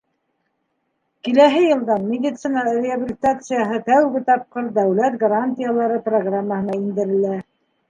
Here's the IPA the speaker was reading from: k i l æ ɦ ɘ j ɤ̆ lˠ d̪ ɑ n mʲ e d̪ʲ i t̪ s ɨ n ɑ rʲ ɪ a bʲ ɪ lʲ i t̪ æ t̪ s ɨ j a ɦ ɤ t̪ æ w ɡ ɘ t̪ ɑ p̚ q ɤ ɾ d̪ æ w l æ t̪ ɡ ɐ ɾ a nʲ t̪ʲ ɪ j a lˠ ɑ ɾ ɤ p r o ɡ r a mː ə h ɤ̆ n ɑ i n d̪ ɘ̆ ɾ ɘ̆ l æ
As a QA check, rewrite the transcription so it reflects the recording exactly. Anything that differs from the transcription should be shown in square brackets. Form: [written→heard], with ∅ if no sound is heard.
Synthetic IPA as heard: k i l æ ɦ ɘ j ɤ̆ lˠ d̪ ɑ n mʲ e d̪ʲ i t̪ s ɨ n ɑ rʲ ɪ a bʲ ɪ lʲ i t̪ [æ→a] t̪ s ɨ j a ɦ ɤ t̪ æ w ɡ ɘ t̪ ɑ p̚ q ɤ ɾ d̪ æ w l æ t̪ ɡ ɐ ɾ a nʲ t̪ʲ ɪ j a lˠ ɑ ɾ ɤ p r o ɡ r a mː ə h ɤ̆ n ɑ i n d̪ ɘ̆ ɾ ɘ̆ l æ

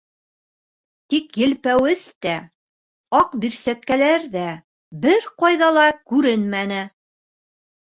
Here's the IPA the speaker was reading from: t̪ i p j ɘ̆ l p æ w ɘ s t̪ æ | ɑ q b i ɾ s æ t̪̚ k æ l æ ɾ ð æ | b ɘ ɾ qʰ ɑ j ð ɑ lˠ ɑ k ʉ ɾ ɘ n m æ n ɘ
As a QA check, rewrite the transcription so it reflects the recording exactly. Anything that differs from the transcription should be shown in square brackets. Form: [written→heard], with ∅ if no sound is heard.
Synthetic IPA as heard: t̪ i [p→k] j ɘ̆ l p æ w ɘ s t̪ æ | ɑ q b i ɾ s æ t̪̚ k æ l æ ɾ ð æ | b ɘ ɾ [qʰ→q] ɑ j ð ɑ lˠ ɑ k ʉ ɾ ɘ n m æ n ɘ

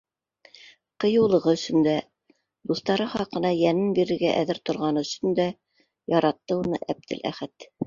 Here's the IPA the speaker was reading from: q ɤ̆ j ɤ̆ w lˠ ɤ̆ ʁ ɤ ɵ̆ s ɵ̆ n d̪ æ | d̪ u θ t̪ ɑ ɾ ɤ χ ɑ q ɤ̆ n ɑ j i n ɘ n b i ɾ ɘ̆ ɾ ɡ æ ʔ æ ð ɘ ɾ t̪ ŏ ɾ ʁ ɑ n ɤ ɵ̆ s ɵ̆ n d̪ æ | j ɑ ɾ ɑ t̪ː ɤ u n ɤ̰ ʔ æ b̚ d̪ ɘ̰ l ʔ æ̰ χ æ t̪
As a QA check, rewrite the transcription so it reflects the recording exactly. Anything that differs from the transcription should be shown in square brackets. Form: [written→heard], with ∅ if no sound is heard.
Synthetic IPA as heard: q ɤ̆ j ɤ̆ w lˠ ɤ̆ ʁ ɤ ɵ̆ s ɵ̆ n d̪ æ | d̪ u θ t̪ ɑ ɾ ɤ χ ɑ q ɤ̆ n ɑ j [i→æ] n ɘ n b i ɾ ɘ̆ ɾ ɡ æ ʔ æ ð ɘ ɾ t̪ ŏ ɾ ʁ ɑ n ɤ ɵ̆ s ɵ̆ n d̪ æ | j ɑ ɾ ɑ t̪ː ɤ u n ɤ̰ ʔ æ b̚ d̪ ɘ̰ l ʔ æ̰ χ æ t̪

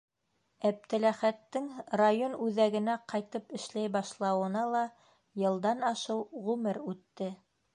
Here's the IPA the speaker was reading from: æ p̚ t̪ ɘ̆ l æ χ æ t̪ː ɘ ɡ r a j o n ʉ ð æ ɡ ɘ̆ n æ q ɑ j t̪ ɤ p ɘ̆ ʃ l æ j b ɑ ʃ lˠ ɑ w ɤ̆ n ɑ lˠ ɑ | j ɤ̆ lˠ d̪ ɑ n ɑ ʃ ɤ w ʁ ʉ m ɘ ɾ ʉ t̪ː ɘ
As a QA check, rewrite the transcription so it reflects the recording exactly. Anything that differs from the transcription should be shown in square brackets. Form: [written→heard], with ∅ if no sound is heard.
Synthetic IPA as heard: æ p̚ t̪ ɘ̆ l æ χ æ t̪ː ɘ [ɡ→ŋ] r a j o n ʉ ð æ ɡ ɘ̆ n æ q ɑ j t̪ ɤ p ɘ̆ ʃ l æ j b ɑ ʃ lˠ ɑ w ɤ̆ n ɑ lˠ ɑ | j ɤ̆ lˠ d̪ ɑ n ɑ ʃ ɤ w ʁ ʉ m ɘ ɾ ʉ t̪ː ɘ

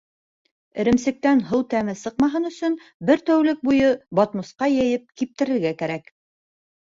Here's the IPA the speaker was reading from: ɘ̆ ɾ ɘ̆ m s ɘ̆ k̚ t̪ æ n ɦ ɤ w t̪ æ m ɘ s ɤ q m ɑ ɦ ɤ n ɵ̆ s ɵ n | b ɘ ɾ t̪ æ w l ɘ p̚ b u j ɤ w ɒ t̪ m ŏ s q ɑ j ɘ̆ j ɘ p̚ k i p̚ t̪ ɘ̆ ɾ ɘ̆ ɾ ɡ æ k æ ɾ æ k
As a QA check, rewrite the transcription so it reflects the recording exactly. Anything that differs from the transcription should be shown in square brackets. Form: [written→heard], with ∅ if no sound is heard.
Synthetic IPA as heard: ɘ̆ ɾ ɘ̆ m s ɘ̆ k̚ t̪ æ n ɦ ɤ w t̪ æ m ɘ s ɤ q m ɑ ɦ ɤ n ɵ̆ s ɵ n | b ɘ ɾ t̪ æ w l ɘ [p̚→k̚] b u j ɤ [w→b] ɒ t̪ m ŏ s q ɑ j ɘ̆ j ɘ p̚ k i p̚ t̪ ɘ̆ ɾ ɘ̆ ɾ ɡ æ k æ ɾ æ k

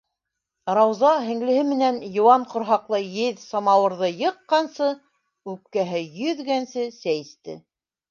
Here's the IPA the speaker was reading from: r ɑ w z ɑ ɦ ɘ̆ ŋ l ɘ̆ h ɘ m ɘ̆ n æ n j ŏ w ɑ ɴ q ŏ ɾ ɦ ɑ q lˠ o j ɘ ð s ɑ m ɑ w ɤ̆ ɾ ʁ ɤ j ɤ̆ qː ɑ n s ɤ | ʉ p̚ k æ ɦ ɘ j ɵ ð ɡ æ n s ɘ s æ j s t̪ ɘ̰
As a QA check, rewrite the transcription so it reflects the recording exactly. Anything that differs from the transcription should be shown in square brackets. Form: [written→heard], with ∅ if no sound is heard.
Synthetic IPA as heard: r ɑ w z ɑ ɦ ɘ̆ ŋ l ɘ̆ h ɘ m ɘ̆ n æ n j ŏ w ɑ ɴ q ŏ ɾ ɦ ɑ q lˠ [o→ɤ] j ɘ ð s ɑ m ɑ w ɤ̆ ɾ [ʁ→ð] ɤ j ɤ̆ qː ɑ n s ɤ | ʉ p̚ k æ ɦ ɘ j ɵ ð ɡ æ n s ɘ s æ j s t̪ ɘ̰

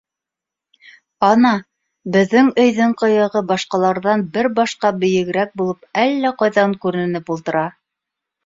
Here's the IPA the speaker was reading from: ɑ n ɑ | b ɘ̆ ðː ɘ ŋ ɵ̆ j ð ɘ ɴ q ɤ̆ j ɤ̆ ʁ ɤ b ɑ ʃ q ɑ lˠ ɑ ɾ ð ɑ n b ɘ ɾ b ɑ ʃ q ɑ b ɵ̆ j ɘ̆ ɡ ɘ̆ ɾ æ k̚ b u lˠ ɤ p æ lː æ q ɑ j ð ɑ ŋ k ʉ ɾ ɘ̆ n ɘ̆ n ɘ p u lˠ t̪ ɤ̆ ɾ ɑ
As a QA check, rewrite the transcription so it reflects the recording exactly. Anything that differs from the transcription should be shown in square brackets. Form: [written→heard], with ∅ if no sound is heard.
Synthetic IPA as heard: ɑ n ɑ | b ɘ̆ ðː ɘ ŋ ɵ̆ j ð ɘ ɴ q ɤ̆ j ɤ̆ ʁ ɤ b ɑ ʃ q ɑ lˠ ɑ ɾ ð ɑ n b ɘ ɾ b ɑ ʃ q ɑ b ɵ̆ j ɘ̆ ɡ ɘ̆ ɾ æ k̚ b u lˠ ɤ p æ lː æ q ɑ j ð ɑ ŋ k ʉ ɾ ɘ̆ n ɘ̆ n ɘ p u lˠ t̪ ɤ̆ ɾ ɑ

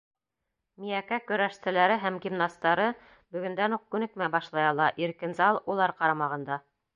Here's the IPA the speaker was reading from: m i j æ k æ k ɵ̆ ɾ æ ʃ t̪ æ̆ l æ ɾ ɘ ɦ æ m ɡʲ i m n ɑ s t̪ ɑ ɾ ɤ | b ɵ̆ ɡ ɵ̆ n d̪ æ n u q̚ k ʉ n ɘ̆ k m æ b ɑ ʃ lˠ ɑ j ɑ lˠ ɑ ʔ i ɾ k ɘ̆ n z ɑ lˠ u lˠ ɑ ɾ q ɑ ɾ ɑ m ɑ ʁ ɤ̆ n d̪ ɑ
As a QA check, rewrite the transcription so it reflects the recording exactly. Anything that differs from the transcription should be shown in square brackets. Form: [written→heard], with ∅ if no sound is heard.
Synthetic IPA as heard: m i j æ k æ k ɵ̆ ɾ æ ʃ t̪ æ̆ l æ ɾ ɘ ɦ æ m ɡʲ i m n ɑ s t̪ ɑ ɾ ɤ | b ɵ̆ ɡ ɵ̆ n d̪ æ n u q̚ k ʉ n ɘ̆ k m æ b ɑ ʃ lˠ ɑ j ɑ lˠ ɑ ʔ i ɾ k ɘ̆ n z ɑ lˠ u lˠ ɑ ɾ q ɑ ɾ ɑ m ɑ ʁ ɤ̆ n d̪ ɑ

